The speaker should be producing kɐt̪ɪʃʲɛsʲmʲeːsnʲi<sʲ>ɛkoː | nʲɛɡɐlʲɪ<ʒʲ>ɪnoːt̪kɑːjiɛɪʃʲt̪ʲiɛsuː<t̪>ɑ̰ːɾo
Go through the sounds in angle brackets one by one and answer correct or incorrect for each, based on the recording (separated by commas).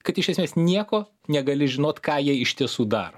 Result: incorrect, correct, incorrect